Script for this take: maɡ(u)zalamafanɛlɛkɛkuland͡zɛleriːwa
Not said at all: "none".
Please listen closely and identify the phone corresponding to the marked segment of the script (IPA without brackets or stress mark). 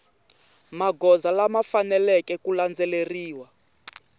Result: ɔ